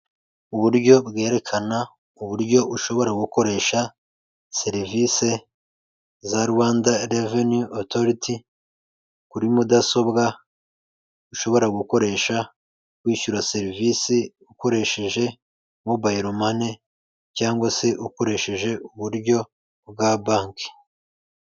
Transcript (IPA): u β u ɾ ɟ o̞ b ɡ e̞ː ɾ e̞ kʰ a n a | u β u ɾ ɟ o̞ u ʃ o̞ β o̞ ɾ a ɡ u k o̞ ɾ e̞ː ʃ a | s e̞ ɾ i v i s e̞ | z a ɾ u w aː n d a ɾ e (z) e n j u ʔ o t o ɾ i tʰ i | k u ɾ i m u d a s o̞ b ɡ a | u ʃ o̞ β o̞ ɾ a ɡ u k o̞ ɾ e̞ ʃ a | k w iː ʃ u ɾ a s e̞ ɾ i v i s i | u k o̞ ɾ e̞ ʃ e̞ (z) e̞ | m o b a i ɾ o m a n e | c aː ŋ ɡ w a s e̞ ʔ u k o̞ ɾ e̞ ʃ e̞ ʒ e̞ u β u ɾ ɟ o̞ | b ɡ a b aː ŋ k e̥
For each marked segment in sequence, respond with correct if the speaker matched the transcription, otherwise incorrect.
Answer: incorrect: v, incorrect: ʒ

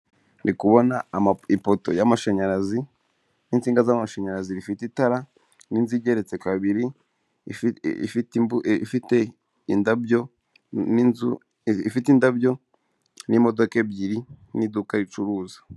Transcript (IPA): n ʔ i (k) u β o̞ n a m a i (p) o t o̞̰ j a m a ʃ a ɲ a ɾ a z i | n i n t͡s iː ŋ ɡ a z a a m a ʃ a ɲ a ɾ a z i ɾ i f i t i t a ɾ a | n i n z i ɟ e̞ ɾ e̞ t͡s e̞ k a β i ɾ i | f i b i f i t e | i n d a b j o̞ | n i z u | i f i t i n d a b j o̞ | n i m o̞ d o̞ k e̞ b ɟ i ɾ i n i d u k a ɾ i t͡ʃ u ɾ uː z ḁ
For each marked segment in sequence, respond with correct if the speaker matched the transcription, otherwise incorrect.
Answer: correct, correct

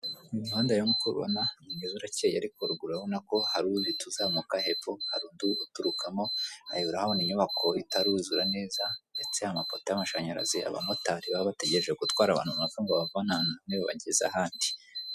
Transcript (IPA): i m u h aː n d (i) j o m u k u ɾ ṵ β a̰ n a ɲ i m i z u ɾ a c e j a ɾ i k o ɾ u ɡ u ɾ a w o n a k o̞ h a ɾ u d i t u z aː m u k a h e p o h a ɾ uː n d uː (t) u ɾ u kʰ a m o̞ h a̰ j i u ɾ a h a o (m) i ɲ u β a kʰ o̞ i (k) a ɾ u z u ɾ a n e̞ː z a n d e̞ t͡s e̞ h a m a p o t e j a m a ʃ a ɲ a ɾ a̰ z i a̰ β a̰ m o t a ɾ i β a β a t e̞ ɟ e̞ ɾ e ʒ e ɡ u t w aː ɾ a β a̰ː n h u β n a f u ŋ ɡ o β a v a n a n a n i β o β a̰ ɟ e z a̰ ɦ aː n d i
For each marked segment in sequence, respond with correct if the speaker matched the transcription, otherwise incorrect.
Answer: incorrect: a, correct, incorrect: n, incorrect: t

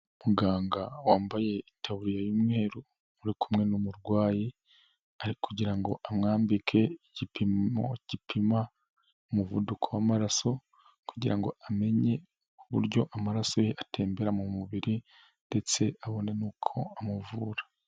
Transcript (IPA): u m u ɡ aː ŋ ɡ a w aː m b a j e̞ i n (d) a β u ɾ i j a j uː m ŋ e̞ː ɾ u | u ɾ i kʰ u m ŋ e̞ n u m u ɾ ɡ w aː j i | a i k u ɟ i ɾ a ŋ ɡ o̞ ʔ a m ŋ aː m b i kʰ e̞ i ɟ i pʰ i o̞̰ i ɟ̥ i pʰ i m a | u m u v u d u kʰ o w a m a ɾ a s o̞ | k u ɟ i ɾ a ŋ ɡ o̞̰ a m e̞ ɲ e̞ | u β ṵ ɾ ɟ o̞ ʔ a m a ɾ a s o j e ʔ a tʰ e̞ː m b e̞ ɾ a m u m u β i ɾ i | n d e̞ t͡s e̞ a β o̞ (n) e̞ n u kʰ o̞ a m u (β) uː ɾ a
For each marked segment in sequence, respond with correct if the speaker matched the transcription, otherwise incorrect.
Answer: incorrect: t, correct, incorrect: v

